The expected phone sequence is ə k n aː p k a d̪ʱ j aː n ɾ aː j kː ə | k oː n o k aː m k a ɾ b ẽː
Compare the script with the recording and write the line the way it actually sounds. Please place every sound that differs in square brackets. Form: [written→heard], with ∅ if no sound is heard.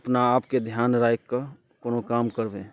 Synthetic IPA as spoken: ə [k→p] n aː p k [a→e] d̪ʱ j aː n ɾ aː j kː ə | k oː n o k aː m k [a→ə] ɾ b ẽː